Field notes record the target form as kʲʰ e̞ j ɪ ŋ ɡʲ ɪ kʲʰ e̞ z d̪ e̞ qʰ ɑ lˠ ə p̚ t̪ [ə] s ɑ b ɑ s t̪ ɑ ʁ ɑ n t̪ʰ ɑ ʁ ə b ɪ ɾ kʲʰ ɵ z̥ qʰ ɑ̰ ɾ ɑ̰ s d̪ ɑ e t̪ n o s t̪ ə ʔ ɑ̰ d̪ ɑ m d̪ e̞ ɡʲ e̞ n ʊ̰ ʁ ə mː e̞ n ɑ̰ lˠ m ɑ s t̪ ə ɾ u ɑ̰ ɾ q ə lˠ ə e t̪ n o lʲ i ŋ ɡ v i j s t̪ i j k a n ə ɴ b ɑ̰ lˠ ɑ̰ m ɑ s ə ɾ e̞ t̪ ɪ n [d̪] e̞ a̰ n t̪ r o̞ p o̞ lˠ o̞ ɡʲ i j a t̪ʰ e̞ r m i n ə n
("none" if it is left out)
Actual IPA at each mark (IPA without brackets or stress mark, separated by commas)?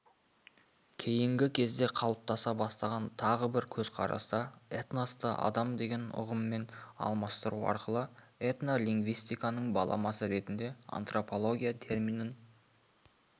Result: ɑ, d̪